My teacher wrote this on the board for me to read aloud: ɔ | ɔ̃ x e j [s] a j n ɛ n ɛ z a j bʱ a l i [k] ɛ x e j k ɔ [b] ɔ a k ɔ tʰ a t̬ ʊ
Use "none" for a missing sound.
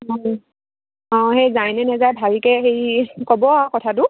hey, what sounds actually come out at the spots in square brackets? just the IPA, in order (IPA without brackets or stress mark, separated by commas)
z, k, b